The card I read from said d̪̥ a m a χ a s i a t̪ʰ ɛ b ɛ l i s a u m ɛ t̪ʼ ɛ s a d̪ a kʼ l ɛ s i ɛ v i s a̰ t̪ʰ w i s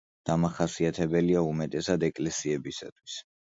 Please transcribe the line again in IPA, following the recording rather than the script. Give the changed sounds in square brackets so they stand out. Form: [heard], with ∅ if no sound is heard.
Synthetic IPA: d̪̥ a m a χ a s i a t̪ʰ ɛ b ɛ l i [∅] a u m ɛ t̪ʼ ɛ s a d̪ [ɛ] kʼ l ɛ s i ɛ [b] i s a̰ t̪ʰ w i s